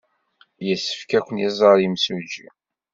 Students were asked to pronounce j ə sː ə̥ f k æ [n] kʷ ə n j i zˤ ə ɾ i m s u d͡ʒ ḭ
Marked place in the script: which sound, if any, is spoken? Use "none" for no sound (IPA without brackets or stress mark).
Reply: none